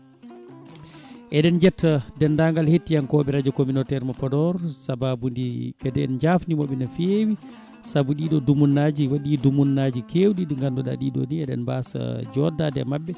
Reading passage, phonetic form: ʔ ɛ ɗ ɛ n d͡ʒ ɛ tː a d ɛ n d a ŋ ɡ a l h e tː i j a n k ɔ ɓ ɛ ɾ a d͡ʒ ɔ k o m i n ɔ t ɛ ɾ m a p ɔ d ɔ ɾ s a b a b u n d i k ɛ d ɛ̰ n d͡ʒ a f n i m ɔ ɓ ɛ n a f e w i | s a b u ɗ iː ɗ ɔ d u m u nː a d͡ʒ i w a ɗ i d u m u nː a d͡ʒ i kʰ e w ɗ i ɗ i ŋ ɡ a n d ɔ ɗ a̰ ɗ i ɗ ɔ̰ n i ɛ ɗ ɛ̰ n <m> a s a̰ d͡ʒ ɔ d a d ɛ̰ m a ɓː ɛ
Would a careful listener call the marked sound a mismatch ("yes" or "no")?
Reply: yes